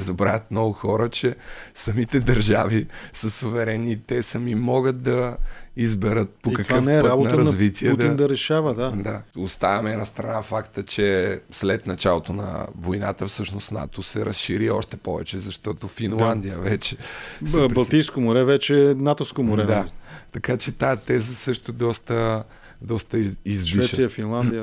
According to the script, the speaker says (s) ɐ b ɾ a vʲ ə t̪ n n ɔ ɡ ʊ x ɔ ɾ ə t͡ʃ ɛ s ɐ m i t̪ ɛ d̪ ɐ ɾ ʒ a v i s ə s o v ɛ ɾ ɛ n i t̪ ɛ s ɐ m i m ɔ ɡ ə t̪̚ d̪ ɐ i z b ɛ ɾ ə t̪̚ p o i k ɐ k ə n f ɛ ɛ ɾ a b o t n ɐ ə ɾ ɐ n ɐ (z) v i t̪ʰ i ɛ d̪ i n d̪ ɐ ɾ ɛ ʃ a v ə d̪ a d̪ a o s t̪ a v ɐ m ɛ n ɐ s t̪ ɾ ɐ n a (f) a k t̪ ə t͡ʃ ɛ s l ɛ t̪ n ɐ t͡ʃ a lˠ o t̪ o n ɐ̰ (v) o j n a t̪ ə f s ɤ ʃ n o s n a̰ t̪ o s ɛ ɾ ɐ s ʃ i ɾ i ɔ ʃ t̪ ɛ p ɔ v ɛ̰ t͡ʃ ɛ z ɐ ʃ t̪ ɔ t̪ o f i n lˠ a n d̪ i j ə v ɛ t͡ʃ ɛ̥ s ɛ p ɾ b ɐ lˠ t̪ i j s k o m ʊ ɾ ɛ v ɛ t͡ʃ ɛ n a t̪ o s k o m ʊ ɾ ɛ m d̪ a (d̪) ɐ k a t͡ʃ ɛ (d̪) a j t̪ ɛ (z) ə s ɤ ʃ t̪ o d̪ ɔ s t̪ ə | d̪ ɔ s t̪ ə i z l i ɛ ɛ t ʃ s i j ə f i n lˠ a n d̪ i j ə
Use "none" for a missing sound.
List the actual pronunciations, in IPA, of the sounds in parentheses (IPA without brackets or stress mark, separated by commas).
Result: z, z, f, v, t̪, t̪, z